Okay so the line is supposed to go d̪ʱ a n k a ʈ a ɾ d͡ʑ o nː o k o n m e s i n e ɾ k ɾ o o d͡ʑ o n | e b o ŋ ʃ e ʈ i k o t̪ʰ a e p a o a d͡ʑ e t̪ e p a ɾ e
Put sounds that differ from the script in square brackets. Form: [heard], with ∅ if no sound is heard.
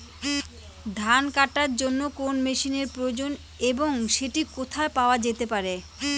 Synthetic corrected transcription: d̪ʱ a n k a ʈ a ɾ d͡ʑ o nː o k o n m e [ʃ] i n e ɾ [p] ɾ o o d͡ʑ o n | e b o ŋ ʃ e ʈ i k o t̪ʰ a e p a o a d͡ʑ e t̪ e p a ɾ e